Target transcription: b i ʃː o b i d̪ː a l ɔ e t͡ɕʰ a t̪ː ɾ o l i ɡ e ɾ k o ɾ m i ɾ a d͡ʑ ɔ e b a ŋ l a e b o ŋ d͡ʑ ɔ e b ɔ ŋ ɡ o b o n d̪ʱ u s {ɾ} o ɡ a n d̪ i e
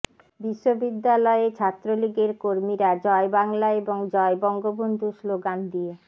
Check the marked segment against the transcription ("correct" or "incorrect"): incorrect